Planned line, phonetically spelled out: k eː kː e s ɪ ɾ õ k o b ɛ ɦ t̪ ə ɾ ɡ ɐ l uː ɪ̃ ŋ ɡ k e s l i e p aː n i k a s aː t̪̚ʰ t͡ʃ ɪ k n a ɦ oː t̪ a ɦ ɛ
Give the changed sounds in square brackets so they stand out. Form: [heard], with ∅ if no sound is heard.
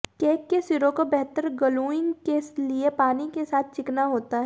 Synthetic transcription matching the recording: k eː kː e s ɪ ɾ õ k o b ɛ ɦ t̪ ə ɾ ɡ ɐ l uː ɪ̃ ŋ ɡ k e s l i e p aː n i k [e] s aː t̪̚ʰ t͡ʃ ɪ k n a ɦ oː t̪ a ɦ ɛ